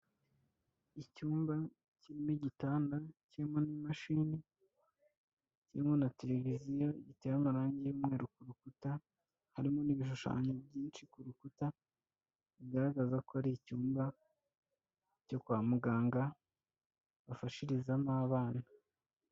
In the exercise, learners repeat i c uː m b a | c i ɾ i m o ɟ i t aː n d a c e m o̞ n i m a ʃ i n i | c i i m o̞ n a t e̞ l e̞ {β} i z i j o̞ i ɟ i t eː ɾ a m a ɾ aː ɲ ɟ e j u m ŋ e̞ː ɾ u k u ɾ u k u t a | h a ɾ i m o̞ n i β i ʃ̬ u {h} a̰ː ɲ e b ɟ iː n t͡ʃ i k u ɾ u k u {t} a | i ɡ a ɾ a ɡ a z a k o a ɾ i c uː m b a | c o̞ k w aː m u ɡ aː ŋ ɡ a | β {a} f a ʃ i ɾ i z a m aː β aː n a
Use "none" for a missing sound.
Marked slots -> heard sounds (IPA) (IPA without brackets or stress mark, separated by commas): v, ʃ, t, a